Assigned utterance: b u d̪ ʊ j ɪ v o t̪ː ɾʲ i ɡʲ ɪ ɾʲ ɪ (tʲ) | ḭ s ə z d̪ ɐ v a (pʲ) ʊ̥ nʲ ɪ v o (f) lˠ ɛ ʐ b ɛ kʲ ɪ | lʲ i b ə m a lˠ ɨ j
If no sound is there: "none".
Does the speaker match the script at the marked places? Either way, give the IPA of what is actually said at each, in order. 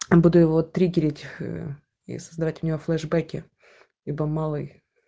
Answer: tʲ, tʲ, f

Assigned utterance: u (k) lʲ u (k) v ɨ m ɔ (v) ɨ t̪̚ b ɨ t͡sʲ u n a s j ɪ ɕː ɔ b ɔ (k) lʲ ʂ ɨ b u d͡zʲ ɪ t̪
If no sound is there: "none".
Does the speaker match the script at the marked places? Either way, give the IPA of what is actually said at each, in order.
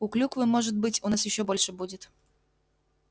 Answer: k, k, ʐ, none

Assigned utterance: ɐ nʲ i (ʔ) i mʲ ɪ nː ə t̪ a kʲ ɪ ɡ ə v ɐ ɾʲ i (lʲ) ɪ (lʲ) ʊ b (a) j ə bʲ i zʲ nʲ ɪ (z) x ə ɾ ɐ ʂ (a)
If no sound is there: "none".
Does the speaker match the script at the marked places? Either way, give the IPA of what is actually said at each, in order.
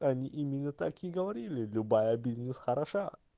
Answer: ʔ, lʲ, lʲ, a, s, a

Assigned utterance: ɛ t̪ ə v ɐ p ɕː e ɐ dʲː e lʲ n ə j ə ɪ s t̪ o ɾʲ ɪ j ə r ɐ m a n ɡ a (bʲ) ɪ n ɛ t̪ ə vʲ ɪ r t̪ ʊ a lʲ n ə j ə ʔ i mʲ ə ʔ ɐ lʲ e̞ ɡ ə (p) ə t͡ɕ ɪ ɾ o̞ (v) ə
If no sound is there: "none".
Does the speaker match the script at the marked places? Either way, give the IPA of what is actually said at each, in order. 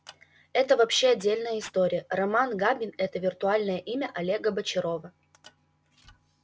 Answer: bʲ, b, v

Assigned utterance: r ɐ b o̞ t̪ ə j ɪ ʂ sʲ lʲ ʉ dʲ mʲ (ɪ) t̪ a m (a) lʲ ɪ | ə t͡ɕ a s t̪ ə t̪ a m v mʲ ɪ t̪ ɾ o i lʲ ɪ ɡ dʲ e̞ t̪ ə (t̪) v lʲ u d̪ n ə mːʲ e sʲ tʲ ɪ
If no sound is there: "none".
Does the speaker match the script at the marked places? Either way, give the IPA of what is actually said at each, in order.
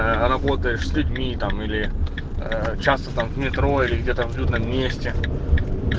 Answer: i, i, none

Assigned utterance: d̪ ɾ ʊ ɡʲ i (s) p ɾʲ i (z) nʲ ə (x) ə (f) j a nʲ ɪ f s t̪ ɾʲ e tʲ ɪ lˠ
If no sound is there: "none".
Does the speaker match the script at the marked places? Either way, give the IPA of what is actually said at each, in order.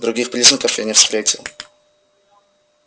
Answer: x, z, k, f

